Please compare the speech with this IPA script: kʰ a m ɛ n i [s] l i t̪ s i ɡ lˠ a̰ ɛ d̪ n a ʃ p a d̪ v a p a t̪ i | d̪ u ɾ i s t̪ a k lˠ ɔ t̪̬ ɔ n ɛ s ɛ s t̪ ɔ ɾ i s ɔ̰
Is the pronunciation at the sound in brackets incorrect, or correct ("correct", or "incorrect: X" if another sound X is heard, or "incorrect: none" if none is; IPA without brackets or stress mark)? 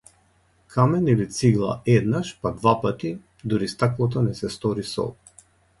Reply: incorrect: none